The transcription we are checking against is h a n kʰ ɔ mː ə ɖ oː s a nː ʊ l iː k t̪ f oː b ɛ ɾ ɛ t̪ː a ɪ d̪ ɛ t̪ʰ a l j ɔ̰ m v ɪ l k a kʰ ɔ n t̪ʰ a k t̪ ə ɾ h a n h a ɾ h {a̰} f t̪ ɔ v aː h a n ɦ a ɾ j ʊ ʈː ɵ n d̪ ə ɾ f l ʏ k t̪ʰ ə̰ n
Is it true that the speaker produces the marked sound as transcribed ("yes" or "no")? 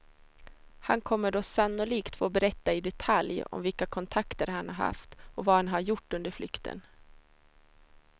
yes